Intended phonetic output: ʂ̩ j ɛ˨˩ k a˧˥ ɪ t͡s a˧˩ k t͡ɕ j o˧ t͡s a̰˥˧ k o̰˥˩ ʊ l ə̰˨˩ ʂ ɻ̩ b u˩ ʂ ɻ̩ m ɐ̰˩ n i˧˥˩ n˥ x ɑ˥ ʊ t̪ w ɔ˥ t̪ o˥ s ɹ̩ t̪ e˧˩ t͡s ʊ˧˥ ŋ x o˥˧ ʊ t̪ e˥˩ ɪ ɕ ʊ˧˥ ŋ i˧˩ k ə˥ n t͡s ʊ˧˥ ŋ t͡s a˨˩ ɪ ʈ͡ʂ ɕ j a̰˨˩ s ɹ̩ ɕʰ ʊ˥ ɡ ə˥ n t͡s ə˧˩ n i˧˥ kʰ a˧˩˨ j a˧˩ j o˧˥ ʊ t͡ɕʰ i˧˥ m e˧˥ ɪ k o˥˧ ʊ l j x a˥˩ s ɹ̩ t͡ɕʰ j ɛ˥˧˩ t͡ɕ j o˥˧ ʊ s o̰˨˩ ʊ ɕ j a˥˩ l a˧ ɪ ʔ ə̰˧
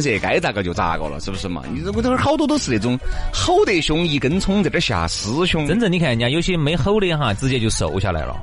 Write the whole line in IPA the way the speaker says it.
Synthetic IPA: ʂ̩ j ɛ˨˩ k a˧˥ ɪ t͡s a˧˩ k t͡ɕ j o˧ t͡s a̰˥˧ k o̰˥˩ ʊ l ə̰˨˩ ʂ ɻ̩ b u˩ ʂ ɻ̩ m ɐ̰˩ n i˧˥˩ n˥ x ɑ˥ ʊ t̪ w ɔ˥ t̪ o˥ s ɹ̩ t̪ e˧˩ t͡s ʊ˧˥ ŋ x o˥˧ ʊ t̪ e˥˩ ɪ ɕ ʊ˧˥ ŋ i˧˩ k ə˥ n t͡sʰ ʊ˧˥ ŋ t͡s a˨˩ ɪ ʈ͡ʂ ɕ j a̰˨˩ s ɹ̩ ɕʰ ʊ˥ ŋ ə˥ n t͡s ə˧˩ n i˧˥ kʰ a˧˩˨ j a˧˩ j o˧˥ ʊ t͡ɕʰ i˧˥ m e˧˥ ɪ x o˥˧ ʊ l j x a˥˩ t͡s ɹ̩ t͡ɕ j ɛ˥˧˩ t͡ɕ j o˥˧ ʊ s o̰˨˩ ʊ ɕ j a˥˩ l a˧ ɪ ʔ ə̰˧